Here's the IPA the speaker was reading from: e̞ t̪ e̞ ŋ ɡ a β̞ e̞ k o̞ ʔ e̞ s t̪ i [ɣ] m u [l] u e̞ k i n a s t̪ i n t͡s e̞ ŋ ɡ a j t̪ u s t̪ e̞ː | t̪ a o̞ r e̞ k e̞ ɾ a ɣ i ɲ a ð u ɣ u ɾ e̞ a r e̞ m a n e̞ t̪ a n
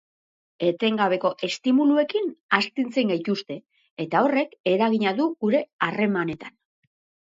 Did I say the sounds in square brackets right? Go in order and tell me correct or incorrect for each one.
incorrect: none, correct

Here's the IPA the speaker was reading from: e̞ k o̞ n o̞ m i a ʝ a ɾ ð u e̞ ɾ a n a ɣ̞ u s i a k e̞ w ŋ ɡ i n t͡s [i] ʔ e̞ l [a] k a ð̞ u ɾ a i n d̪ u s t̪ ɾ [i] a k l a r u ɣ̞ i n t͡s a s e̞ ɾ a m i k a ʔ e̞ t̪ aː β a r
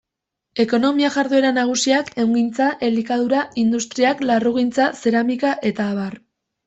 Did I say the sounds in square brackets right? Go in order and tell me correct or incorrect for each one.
incorrect: a, incorrect: i, correct

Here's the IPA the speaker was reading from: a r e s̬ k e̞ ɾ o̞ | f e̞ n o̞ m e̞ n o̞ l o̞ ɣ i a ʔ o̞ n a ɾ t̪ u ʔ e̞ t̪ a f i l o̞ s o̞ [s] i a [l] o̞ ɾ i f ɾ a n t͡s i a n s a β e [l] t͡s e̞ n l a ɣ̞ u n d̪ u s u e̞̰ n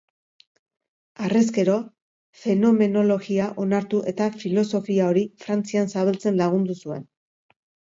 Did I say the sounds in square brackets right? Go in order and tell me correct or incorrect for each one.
incorrect: f, incorrect: none, correct

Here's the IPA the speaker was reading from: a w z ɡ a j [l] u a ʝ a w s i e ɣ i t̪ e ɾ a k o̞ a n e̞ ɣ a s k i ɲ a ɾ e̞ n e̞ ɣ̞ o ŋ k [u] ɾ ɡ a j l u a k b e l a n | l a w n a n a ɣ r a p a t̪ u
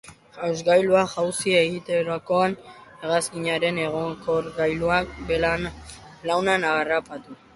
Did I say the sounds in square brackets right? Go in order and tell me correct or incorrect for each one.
correct, incorrect: o

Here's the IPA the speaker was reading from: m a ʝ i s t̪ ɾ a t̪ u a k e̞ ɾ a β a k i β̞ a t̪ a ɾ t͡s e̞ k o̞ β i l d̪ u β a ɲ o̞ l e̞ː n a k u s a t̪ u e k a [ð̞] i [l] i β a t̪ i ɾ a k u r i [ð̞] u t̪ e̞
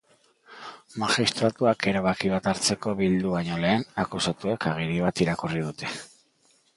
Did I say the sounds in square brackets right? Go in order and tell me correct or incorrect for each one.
incorrect: ɣ̞, incorrect: ɾ, correct

